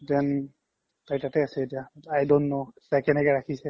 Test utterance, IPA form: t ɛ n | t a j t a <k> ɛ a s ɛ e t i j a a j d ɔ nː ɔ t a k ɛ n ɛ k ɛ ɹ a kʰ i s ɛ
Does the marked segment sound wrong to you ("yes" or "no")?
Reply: yes